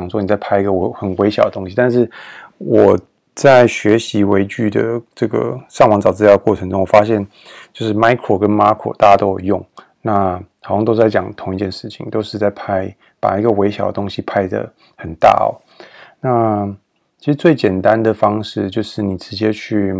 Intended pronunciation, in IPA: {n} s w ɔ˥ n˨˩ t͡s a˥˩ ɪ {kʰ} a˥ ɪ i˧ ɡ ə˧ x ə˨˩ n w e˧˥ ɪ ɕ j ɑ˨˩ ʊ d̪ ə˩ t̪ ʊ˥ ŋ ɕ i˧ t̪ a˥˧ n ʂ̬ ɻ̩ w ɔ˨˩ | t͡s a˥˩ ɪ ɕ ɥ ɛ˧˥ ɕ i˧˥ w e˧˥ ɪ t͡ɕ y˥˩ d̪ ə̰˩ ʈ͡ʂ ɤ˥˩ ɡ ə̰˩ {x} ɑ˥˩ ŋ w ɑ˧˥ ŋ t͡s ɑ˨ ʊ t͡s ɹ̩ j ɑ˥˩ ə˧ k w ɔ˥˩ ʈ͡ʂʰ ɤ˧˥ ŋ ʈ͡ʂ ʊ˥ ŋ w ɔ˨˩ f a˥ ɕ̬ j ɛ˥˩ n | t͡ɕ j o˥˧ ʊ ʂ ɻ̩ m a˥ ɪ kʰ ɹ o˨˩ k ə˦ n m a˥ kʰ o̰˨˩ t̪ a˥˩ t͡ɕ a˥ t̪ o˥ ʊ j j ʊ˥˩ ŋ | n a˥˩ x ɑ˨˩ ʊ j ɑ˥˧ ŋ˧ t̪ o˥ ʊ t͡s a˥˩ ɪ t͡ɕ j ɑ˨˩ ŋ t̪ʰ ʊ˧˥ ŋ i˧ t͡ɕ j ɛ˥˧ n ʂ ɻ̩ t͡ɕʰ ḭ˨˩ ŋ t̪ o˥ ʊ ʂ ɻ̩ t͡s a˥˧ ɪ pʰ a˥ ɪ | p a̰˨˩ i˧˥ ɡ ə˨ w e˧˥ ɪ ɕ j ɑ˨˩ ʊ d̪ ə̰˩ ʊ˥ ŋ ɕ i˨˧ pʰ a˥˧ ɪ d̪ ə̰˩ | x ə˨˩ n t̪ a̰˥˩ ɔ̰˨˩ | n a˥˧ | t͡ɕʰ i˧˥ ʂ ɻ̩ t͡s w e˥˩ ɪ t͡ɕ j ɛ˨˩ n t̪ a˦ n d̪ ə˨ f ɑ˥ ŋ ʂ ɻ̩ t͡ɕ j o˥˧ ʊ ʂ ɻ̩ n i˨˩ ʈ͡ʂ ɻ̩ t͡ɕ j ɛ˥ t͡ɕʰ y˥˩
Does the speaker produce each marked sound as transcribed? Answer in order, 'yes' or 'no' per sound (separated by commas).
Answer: no, no, no